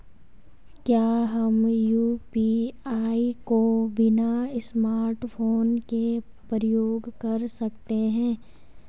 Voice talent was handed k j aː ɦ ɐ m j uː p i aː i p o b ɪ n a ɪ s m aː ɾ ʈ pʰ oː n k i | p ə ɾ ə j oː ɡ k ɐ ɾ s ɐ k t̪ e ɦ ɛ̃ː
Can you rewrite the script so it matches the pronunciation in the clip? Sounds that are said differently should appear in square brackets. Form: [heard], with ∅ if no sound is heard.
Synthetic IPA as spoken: k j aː ɦ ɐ m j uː p i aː i [k] o b ɪ n a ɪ s m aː ɾ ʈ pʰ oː n k [e] | p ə ɾ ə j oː ɡ k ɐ ɾ s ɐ k t̪ e ɦ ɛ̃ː